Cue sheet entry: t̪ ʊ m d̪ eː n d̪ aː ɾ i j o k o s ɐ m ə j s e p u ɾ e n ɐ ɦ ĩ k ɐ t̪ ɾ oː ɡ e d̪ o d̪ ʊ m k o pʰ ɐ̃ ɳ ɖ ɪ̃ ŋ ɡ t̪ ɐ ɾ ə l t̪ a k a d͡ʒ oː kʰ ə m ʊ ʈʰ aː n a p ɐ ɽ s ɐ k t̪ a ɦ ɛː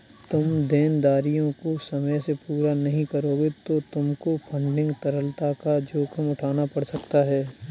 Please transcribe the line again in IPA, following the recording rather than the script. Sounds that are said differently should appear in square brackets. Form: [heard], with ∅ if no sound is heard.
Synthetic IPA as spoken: t̪ ʊ m d̪ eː n d̪ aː ɾ i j [õ] k o s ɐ m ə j s e p [uː] ɾ [a] n ɐ ɦ ĩ k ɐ [∅] ɾ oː ɡ e [t̪] o [t̪] ʊ m k o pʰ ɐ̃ ɳ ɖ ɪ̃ ŋ ɡ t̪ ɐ ɾ ə l t̪ a k a d͡ʒ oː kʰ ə m ʊ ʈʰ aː n a p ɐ ɽ s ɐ k t̪ a ɦ ɛː